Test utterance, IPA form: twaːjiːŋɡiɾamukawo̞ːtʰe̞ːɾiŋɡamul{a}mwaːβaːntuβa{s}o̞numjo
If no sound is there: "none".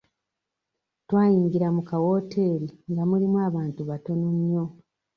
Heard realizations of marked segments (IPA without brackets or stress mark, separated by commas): i, t